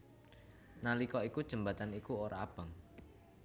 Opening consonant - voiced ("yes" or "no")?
yes